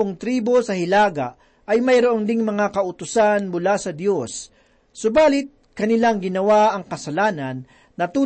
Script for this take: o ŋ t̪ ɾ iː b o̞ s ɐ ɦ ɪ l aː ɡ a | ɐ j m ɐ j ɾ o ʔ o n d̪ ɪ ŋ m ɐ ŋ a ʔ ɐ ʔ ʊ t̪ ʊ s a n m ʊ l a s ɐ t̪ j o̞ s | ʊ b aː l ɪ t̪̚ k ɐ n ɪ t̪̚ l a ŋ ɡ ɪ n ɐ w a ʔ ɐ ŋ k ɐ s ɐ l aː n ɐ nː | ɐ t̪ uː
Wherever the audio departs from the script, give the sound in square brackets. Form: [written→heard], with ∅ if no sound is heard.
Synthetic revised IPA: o ŋ t̪ ɾ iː b o̞ s ɐ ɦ ɪ l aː ɡ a | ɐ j m ɐ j ɾ o ʔ o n d̪ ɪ ŋ m ɐ ŋ a [ʔ→k] ɐ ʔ ʊ t̪ ʊ s a n m ʊ l a s ɐ [t̪→d̪] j o̞ [s→sː] | ʊ b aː l ɪ t̪̚ k ɐ n ɪ [t̪̚→∅] l a ŋ ɡ ɪ n ɐ w a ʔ ɐ ŋ k ɐ s ɐ l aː n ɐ nː | ɐ t̪ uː